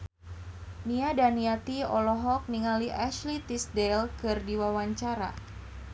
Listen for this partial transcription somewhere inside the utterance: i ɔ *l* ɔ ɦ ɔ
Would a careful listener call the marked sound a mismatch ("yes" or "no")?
no